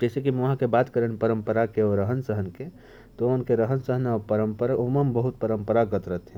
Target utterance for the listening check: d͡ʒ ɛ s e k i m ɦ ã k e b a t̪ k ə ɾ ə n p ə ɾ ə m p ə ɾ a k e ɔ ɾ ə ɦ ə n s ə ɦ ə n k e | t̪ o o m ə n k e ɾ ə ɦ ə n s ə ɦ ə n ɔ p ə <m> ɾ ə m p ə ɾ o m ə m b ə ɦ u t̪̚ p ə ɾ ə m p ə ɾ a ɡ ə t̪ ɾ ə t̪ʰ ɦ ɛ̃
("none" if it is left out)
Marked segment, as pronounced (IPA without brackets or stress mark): none